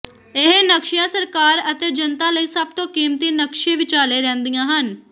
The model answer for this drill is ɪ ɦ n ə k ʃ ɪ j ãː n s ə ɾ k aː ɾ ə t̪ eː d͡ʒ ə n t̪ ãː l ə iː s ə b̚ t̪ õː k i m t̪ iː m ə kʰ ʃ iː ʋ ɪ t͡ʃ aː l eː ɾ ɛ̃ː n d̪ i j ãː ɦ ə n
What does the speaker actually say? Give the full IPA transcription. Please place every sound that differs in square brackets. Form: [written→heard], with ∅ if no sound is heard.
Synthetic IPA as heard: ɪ ɦ n ə k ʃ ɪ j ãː [n→∅] s ə ɾ k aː ɾ ə t̪ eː d͡ʒ ə n t̪ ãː l ə iː s ə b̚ t̪ õː k [i→iː] m t̪ iː [m→n] ə [kʰ→k] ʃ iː ʋ ɪ t͡ʃ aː l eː ɾ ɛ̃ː n d̪ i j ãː ɦ ə n